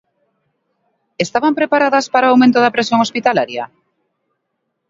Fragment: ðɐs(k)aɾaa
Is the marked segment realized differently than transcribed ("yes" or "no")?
yes